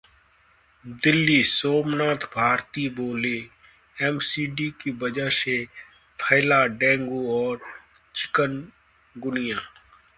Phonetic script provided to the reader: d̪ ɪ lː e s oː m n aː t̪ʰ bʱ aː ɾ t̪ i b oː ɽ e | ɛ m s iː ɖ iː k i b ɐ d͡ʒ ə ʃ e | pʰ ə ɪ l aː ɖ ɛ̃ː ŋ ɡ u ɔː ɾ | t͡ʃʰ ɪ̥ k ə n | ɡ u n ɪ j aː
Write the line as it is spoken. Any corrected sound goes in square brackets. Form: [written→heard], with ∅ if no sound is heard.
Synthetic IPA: d̪ ɪ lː [e→i] s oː m n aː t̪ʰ bʱ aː ɾ t̪ i b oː [ɽ→l] e | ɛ m s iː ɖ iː k i b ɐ d͡ʒ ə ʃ e | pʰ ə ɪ l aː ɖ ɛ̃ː ŋ ɡ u ɔː ɾ | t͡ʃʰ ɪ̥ k ə n | ɡ [u→ʊ] n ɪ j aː